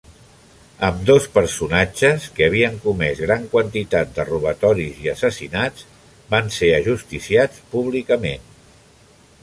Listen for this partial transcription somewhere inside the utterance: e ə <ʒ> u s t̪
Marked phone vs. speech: correct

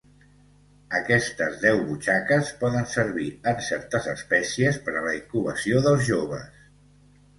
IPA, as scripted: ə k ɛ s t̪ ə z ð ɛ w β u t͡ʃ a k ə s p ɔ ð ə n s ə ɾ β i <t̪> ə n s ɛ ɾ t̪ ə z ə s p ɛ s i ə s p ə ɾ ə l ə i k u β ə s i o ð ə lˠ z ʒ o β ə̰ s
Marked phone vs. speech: incorrect: none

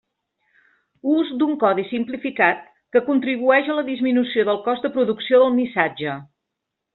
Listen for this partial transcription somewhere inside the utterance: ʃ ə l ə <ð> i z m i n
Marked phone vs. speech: correct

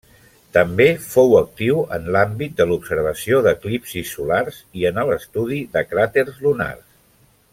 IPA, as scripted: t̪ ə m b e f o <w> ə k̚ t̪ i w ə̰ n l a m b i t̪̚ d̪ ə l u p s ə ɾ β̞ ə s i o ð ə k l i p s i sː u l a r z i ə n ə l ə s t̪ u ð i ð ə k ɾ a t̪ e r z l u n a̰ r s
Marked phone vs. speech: correct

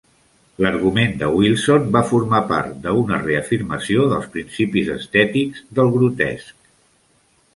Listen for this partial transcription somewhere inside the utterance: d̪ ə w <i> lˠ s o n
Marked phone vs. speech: correct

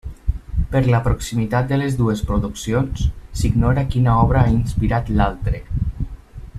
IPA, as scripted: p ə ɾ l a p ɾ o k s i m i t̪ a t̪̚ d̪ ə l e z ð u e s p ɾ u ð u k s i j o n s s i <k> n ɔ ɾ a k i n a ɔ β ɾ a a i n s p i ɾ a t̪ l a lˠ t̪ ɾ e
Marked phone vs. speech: incorrect: ɡ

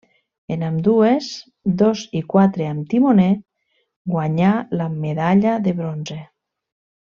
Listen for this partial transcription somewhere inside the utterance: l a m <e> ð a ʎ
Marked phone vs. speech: correct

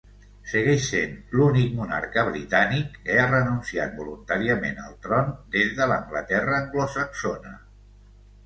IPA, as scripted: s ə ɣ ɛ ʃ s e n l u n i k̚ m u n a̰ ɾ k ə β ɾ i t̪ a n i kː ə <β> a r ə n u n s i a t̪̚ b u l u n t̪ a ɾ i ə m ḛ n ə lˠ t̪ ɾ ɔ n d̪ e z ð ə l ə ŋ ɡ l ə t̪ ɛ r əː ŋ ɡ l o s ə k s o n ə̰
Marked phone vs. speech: incorrect: none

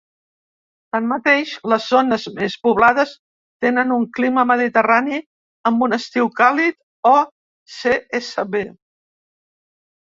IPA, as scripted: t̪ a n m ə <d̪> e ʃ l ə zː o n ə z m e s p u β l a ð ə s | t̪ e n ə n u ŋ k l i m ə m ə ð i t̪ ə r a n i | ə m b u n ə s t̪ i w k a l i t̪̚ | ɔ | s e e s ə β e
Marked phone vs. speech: incorrect: t̪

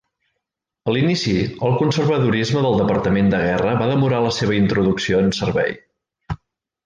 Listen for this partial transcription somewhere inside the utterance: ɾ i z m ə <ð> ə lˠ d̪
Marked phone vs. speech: correct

